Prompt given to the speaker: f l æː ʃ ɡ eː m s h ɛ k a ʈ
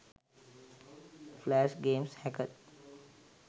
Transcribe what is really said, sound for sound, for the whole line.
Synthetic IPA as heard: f l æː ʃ ɡ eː m s h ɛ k ə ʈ

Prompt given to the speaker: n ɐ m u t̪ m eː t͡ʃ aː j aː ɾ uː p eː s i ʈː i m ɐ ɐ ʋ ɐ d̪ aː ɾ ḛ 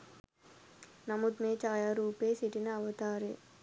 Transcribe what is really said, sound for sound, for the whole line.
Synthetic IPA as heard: n ɐ m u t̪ m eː t͡ʃ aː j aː ɾ uː p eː s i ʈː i n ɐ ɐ ʋ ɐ t̪ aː ɾ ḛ

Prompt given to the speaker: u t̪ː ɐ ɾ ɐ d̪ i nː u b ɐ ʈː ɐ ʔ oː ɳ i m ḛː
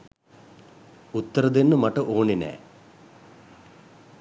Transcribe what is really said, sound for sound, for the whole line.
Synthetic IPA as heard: u t̪ː ɐ ɾ ɐ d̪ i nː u m ɐ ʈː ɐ ʔ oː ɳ i n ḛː

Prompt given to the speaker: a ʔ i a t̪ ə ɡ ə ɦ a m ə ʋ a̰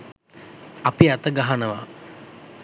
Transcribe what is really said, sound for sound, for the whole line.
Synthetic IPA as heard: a p i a t̪ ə ɡ a ɦ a n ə ʋ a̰

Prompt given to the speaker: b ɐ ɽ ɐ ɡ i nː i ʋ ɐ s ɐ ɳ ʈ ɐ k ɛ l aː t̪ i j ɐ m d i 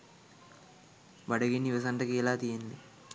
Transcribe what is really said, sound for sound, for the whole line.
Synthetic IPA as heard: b ɐ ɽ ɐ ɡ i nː i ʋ ɐ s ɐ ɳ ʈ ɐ k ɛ l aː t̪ i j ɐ n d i

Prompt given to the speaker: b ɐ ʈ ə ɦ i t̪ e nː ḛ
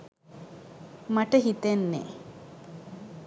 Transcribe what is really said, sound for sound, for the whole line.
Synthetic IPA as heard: m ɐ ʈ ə ɦ i t̪ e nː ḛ

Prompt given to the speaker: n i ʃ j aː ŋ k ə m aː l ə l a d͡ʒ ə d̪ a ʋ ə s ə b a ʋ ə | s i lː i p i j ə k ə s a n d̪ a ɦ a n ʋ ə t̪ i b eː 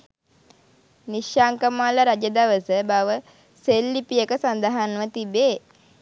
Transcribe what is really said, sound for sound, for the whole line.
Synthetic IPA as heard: n i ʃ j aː ŋ k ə m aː l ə ɾ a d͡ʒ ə d̪ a ʋ ə s ə b a ʋ ə | s e lː i p i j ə k ə s a n d̪ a ɦ a n ʋ ə t̪ i b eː

